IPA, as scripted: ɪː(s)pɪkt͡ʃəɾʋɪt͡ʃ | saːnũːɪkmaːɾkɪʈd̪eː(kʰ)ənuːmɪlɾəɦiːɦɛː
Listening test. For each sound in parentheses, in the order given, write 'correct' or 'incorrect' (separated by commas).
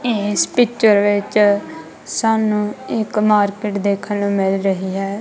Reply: correct, correct